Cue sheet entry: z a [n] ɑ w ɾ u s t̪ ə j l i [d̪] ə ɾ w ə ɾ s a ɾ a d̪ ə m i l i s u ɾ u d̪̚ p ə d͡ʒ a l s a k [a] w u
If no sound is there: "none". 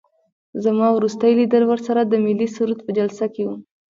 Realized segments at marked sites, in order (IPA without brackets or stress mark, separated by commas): m, d̪, e